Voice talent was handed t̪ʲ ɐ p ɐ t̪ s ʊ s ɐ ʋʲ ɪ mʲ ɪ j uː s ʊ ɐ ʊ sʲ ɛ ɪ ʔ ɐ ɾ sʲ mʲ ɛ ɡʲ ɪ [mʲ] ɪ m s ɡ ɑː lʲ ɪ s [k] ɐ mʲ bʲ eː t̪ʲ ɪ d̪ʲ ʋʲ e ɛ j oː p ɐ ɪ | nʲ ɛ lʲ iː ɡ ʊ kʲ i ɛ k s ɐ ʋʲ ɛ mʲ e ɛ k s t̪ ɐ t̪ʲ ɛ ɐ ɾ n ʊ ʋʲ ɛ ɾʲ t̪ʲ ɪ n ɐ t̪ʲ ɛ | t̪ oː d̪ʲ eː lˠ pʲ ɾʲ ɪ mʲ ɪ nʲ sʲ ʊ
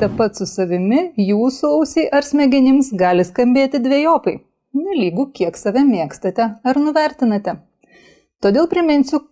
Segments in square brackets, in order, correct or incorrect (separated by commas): incorrect, correct